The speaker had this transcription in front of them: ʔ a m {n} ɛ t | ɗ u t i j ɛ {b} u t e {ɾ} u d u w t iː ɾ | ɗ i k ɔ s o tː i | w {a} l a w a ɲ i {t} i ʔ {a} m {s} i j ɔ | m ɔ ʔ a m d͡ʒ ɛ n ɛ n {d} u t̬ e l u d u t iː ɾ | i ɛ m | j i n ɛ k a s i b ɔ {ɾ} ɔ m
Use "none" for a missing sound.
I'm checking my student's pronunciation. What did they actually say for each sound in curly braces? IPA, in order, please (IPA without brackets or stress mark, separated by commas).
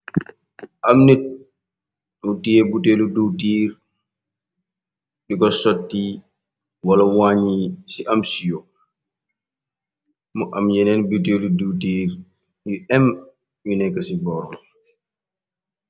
n, b, l, a, s, a, s, b, ɾ